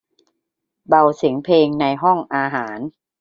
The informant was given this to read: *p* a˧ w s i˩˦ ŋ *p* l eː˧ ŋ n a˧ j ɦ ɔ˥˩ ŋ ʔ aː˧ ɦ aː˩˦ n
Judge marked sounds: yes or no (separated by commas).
no, no